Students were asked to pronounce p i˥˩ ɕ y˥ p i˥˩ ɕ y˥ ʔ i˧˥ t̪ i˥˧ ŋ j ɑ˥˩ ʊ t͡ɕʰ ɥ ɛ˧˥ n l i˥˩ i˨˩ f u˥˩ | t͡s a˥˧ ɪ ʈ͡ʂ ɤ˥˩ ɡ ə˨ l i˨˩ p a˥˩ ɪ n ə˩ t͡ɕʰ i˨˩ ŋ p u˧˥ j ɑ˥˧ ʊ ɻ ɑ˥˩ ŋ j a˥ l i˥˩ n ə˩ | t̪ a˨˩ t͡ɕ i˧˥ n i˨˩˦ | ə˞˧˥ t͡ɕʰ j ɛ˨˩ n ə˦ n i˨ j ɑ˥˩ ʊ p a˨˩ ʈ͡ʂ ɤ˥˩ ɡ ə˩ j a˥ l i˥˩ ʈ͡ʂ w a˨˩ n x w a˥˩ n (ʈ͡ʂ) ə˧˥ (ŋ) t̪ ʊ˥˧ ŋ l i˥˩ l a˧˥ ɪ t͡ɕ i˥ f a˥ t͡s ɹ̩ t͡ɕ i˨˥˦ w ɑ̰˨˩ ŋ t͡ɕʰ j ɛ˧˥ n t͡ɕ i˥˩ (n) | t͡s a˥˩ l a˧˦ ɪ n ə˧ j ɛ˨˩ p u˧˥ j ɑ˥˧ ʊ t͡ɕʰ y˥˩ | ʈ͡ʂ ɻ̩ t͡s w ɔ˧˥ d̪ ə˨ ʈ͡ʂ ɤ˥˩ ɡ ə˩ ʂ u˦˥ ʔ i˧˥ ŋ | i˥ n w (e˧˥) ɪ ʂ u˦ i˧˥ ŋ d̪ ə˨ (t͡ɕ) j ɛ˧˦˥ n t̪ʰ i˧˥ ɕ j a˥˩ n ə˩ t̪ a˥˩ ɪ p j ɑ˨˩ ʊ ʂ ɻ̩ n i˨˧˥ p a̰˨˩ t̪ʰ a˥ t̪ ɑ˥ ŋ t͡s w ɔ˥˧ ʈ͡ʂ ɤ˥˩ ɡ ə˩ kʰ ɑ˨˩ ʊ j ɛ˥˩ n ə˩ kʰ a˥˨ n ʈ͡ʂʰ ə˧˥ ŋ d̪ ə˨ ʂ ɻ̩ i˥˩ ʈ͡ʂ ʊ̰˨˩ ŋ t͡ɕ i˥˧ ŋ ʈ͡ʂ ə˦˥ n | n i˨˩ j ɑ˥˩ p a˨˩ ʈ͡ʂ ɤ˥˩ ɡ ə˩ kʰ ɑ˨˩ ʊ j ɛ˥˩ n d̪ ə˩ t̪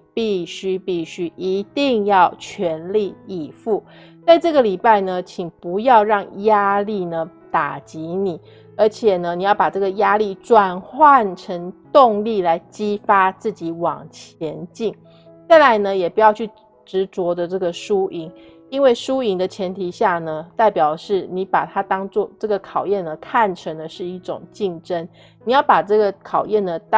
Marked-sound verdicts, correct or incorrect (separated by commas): incorrect, correct, incorrect, incorrect, incorrect